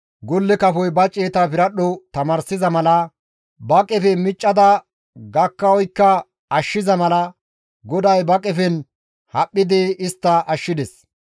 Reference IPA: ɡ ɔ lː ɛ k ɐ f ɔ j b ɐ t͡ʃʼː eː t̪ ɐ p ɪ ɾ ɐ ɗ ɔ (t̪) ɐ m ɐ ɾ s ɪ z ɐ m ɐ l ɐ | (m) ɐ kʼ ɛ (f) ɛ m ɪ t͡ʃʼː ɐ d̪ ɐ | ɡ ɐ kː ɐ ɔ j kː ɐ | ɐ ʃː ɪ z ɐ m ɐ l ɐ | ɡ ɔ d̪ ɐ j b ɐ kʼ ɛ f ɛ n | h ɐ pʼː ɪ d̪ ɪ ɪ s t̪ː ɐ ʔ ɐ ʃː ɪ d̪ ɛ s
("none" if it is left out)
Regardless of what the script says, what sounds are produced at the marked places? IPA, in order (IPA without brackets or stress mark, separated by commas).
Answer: t̪, b, f